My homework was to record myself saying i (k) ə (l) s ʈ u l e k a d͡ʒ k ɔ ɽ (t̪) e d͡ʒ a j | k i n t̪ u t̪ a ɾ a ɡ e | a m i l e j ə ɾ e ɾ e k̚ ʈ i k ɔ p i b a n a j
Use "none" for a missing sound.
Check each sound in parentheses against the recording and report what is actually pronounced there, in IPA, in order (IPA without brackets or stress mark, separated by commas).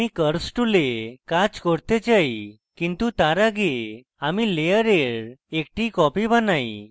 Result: k, ɾ, t̪